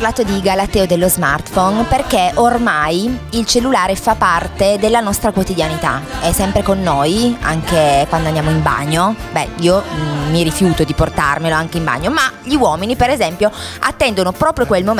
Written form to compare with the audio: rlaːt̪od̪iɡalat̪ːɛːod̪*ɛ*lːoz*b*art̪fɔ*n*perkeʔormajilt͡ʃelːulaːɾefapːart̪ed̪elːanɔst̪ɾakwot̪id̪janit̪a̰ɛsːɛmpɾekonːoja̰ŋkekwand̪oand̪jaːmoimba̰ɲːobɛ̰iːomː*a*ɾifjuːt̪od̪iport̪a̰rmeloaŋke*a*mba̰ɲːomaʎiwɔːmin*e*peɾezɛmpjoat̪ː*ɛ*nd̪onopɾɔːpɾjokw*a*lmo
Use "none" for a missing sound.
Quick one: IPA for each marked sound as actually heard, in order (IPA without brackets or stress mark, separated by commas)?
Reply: e, m, n, i, i, i, ɛ, e